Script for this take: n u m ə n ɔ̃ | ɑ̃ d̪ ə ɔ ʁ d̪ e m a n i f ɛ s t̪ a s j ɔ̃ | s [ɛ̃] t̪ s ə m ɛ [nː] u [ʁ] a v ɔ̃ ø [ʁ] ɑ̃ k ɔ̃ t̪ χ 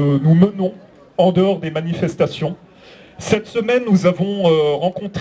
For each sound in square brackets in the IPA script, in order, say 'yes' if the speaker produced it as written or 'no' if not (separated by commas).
no, yes, no, yes